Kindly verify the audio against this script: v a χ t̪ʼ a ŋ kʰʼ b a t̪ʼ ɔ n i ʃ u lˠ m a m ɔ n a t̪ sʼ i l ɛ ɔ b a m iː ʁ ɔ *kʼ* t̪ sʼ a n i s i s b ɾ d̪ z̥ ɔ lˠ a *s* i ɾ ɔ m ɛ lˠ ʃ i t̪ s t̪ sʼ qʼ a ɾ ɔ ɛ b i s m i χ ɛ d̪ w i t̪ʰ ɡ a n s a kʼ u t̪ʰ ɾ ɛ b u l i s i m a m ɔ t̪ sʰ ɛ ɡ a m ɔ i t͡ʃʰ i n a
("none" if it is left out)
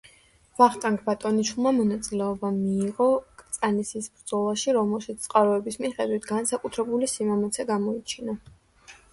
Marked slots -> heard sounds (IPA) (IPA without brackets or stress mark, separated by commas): kʼ, ʃ